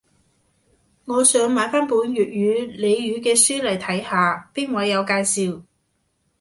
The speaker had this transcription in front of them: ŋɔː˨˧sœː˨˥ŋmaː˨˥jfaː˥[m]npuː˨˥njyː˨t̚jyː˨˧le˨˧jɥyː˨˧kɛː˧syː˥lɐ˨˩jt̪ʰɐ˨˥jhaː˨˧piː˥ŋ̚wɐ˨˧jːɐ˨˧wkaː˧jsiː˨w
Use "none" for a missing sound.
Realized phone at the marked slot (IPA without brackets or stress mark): none